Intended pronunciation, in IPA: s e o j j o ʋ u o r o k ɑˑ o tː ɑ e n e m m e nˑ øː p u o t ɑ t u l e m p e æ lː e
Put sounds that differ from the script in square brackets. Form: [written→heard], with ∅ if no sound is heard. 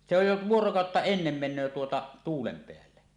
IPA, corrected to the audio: s e o j j o ʋ u o r o k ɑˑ o tː ɑ e [n→nː] e m m e nˑ øː [p→t] u o t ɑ t [u→uː] l e m p e æ lː e